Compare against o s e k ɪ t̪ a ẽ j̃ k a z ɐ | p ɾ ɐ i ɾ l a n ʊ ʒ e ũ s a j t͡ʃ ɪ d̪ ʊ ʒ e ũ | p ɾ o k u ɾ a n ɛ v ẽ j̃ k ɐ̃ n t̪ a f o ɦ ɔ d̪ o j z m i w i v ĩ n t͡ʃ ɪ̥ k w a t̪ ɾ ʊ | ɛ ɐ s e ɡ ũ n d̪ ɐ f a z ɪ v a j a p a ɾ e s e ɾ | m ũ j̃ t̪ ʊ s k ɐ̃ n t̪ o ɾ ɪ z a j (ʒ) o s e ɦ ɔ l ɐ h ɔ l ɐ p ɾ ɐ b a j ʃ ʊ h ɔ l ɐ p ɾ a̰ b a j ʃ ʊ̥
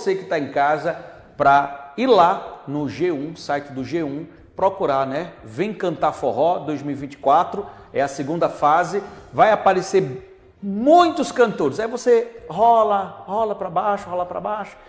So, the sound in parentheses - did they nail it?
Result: no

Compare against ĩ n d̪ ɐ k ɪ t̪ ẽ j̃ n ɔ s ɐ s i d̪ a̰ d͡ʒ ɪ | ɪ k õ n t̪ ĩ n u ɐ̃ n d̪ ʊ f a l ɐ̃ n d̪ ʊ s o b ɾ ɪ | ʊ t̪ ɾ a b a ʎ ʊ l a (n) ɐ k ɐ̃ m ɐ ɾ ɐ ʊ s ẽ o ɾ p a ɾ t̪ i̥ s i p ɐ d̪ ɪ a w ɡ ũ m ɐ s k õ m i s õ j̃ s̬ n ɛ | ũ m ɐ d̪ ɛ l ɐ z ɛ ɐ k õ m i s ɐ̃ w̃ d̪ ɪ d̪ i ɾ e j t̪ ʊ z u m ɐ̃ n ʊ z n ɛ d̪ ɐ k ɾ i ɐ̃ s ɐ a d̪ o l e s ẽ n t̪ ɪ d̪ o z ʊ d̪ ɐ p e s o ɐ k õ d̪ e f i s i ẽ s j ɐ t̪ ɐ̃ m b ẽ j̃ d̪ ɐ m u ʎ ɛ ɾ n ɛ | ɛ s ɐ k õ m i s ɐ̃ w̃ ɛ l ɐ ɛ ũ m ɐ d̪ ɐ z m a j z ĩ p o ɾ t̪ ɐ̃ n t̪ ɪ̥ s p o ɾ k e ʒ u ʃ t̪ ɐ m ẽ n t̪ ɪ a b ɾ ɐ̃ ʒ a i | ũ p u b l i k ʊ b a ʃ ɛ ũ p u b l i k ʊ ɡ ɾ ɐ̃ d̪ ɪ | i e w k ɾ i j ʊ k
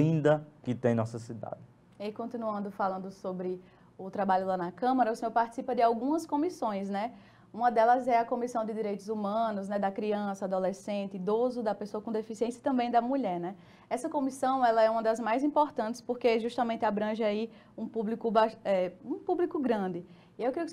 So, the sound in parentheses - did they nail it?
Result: yes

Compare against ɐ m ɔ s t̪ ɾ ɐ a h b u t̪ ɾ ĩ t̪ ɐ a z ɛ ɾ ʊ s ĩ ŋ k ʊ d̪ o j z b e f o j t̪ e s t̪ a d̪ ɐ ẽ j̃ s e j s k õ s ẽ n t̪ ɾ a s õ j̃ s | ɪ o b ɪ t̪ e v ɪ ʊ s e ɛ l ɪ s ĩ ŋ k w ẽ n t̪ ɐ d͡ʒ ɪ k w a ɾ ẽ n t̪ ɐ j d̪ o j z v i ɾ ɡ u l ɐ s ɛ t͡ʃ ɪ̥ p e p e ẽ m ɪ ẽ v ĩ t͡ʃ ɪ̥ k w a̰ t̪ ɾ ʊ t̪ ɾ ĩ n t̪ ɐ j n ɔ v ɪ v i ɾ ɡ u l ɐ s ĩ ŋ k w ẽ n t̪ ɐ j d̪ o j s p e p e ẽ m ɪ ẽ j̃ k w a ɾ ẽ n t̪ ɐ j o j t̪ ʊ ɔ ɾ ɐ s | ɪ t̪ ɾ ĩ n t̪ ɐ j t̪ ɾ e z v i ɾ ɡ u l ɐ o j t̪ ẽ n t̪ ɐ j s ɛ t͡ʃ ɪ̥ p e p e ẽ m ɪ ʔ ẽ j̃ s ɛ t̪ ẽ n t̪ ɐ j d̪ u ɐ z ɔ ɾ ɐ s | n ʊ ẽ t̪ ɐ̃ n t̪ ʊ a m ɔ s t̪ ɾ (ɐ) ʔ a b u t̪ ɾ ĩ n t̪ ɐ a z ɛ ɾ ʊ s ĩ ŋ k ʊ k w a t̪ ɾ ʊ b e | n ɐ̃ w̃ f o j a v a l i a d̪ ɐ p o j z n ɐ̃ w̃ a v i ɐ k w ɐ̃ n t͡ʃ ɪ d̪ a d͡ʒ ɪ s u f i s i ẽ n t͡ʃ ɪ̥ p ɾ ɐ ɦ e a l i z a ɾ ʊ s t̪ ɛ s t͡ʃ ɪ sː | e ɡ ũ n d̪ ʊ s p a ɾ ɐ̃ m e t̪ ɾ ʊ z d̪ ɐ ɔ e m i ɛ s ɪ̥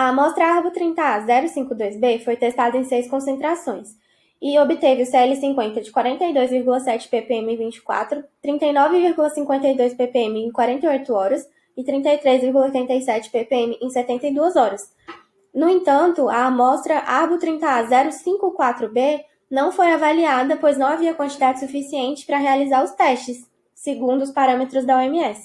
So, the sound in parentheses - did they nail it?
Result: yes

